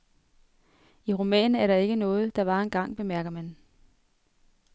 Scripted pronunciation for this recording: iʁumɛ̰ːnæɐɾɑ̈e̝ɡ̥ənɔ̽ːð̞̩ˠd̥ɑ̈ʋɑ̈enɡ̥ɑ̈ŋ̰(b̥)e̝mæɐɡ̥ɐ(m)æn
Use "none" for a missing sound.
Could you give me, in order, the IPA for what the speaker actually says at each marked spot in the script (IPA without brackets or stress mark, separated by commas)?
b̥, m